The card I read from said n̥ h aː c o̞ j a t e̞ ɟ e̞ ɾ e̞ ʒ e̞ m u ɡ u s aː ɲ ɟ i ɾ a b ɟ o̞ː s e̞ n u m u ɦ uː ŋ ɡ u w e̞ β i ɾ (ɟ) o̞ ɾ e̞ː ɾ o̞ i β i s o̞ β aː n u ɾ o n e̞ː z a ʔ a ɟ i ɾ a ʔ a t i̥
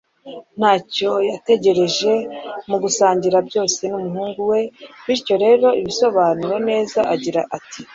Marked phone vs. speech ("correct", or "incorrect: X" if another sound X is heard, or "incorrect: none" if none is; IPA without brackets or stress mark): incorrect: c